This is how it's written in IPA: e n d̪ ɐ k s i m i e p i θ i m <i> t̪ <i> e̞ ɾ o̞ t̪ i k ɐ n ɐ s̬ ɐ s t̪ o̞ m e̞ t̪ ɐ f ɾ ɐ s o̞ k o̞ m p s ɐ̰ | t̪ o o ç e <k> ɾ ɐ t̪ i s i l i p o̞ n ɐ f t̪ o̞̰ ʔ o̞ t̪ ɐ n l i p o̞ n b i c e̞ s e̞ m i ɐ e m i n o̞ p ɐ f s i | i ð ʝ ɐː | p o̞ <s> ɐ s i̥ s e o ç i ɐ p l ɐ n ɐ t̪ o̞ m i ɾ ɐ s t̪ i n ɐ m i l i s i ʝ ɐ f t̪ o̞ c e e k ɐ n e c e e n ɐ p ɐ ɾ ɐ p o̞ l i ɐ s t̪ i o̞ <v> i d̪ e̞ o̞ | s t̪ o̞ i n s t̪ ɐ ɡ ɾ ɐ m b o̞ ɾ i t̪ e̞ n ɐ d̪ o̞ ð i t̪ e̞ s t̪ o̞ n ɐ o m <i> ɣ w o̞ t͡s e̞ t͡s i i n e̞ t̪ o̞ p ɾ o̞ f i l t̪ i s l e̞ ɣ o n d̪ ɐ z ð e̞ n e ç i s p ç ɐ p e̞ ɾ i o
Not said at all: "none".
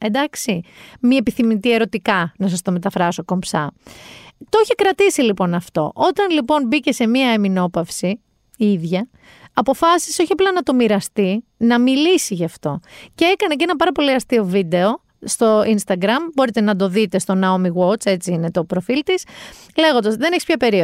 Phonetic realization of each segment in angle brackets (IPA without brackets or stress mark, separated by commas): i, i, k, f, v, i